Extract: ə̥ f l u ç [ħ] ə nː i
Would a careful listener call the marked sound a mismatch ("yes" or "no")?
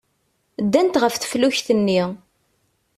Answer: yes